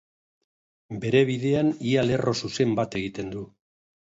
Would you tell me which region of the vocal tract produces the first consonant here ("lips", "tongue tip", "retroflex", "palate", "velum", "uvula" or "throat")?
lips